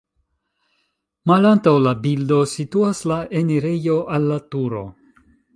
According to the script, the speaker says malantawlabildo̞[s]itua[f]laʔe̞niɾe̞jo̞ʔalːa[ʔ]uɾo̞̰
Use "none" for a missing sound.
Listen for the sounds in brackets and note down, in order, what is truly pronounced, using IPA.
s, s, t

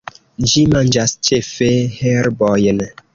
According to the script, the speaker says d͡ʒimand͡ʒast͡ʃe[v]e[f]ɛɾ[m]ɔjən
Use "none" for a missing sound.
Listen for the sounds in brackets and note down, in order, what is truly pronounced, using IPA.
f, h, b

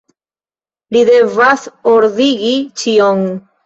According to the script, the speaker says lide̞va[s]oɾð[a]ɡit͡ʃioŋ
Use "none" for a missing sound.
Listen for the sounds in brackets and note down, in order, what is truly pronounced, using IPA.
s, i

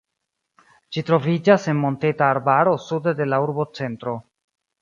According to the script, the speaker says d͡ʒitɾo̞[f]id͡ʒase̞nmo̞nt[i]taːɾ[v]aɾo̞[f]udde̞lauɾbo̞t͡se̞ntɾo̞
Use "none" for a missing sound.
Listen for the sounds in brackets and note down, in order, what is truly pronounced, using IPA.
v, e, b, s

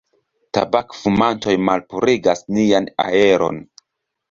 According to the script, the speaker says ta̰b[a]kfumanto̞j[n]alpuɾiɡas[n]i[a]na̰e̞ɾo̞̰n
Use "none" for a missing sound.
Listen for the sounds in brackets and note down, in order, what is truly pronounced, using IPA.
a, m, n, a

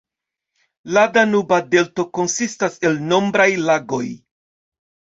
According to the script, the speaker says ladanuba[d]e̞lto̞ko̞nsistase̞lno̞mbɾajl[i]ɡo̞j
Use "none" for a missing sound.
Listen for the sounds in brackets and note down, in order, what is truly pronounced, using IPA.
d, a

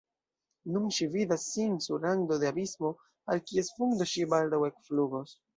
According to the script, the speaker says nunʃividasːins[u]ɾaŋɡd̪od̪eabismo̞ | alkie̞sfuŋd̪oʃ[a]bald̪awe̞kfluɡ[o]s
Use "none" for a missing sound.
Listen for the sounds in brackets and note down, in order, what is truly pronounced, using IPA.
u, i, o

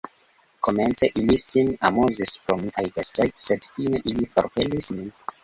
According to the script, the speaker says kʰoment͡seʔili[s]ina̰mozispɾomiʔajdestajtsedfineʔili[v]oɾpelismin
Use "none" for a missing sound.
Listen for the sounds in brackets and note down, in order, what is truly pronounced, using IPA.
s, f

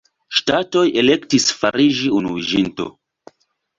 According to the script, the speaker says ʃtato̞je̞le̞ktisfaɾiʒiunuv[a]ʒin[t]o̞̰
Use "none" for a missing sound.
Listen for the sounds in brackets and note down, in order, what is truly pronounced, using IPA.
i, t

